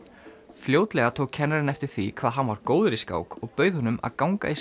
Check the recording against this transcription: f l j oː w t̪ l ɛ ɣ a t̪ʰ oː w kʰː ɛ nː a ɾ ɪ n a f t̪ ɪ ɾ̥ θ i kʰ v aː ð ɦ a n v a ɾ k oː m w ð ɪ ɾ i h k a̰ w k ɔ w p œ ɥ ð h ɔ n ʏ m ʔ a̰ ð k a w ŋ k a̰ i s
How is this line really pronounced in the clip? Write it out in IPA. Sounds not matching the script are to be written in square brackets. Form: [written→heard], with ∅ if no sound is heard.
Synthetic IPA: f l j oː w t̪ l ɛ ɣ a t̪ʰ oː w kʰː ɛ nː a ɾ ɪ n [a→ɛ] f t̪ ɪ ɾ̥ θ i kʰ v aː ð ɦ a n v a ɾ k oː [m→∅] w ð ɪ ɾ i [h→s] k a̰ w k ɔ [w→ɣ] p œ ɥ ð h ɔ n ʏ m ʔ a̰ ð k a w ŋ k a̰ i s